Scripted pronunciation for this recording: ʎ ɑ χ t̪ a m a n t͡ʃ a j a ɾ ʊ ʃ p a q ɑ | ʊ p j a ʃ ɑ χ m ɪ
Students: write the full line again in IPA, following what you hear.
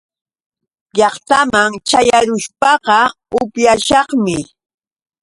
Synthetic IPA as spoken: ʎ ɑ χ t̪ a m a ŋ t͡ʃ a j a ɾ ʊ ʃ p ɑ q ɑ | ʊ p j a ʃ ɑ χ m ɪ